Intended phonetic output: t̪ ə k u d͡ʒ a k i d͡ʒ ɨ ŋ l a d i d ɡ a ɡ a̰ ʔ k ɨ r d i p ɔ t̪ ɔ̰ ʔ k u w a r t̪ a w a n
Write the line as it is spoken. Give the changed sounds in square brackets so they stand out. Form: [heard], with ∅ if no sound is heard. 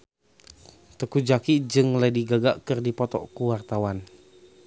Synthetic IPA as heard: t̪ ə k u d͡ʒ a k i d͡ʒ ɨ ŋ l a d i [∅] ɡ a ɡ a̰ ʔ k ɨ r d i p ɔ t̪ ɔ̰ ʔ k u w a r t̪ a w a n